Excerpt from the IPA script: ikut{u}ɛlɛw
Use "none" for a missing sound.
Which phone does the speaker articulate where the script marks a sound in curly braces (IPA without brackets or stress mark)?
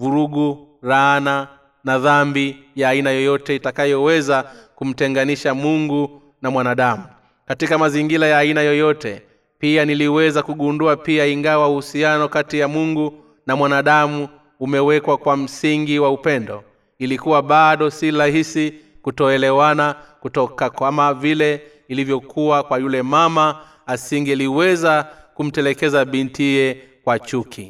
ɔ